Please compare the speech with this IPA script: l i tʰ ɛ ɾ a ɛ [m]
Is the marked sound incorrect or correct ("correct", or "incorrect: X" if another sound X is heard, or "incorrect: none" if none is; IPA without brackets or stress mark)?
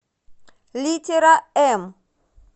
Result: correct